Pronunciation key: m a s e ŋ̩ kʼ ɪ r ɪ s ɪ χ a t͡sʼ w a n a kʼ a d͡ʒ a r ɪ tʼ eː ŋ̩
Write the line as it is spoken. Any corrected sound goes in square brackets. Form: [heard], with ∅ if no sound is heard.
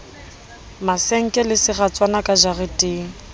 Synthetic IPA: m a s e ŋ̩ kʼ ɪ [l] ɪ s ɪ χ a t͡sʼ w a n a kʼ a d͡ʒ a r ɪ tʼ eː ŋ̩